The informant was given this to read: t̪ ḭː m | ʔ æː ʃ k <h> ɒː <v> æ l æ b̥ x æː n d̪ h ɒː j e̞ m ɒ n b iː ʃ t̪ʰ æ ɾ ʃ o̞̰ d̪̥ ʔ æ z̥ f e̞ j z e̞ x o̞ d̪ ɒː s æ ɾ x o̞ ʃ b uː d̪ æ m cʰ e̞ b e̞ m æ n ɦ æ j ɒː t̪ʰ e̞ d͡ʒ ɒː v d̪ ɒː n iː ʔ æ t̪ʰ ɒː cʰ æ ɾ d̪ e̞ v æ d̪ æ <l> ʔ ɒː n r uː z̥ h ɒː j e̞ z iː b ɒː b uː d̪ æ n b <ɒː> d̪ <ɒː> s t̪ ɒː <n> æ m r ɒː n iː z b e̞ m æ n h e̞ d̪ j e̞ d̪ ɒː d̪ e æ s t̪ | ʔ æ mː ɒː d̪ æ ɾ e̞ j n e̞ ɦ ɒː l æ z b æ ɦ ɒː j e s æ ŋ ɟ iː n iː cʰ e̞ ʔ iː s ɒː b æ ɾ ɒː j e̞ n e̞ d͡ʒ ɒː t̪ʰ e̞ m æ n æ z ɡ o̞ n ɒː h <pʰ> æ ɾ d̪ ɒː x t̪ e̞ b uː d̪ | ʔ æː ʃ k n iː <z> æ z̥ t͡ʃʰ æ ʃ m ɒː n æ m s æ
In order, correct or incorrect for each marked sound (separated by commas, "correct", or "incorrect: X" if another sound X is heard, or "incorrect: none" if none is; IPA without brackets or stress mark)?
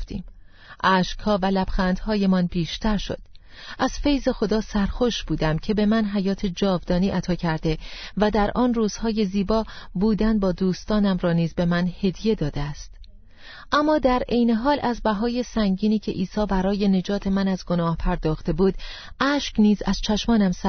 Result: correct, correct, incorrect: ɾ, correct, incorrect: uː, correct, correct, correct